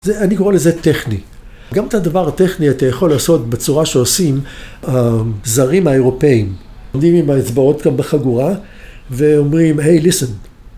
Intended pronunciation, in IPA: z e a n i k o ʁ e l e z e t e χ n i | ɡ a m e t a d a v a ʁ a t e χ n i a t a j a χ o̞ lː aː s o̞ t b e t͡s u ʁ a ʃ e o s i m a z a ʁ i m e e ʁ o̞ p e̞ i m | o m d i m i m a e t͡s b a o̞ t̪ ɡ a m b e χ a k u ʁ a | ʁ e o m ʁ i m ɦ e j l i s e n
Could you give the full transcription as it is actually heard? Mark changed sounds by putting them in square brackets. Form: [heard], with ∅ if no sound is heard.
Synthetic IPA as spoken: z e a n i k o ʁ e l e z e t e χ n i | ɡ a m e t a d a v a ʁ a t e χ n i a t a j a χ o̞ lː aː s o̞ t b e t͡s u ʁ a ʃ e o s i m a z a ʁ i m [a] e ʁ o̞ p e̞ i m | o m d i m i m a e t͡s b a o̞ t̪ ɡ a m b e χ a [ɡ] u ʁ a | [v] e o m ʁ i m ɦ e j l i s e n

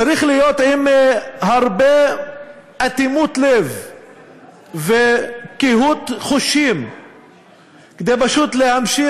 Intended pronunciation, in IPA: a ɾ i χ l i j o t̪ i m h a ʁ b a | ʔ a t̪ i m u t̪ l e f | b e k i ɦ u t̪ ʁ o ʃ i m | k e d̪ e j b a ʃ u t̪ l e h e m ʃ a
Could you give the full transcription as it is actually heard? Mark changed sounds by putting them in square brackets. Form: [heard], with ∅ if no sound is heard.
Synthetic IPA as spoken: a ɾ i χ l i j o t̪ i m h a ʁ b [e] | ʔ a t̪ i m u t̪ l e [v] | [v] e k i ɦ u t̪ [χ] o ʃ i m | k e d̪ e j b a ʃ u t̪ l e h [a] m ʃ [i]

